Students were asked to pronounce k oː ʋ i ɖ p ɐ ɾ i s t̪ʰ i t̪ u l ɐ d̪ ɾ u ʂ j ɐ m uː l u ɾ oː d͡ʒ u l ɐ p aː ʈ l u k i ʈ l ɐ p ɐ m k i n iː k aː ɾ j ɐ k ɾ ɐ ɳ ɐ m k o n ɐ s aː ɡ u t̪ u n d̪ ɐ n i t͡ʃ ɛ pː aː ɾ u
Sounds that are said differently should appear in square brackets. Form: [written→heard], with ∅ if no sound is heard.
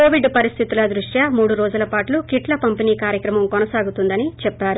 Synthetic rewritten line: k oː ʋ i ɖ p ɐ ɾ i s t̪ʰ i t̪ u l ɐ d̪ ɾ u ʂ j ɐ m uː [l→ɽ] u ɾ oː d͡ʒ u l ɐ p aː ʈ l u k i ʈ l ɐ p ɐ m [k→p] i n iː k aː ɾ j ɐ k ɾ ɐ [ɳ→m] ɐ m k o n ɐ s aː ɡ u t̪ u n d̪ ɐ n i t͡ʃ ɛ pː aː ɾ u